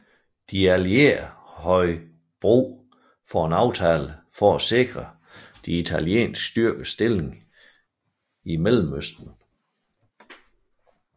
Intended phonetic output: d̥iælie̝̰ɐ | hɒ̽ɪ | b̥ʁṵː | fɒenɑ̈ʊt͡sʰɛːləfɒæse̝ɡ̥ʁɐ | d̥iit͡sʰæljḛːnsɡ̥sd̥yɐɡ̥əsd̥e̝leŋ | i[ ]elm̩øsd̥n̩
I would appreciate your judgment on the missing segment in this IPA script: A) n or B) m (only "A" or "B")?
B